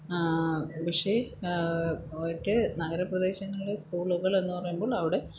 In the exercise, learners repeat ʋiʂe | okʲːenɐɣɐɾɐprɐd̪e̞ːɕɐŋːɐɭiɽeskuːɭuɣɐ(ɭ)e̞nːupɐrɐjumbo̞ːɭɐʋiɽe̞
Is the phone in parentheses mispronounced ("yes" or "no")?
no